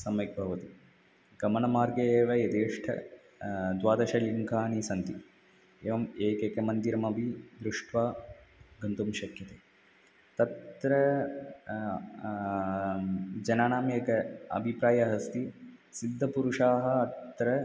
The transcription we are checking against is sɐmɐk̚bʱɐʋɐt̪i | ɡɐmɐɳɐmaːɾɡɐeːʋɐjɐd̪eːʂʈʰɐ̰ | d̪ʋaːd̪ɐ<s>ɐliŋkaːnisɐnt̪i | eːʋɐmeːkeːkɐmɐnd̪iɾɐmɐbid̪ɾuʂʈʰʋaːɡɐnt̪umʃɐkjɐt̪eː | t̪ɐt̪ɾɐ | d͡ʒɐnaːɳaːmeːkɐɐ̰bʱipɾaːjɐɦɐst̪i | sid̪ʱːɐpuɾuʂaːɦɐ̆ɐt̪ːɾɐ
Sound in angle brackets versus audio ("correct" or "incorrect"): incorrect